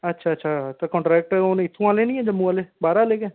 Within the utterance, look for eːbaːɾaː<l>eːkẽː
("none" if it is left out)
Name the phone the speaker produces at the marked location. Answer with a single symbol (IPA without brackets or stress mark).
l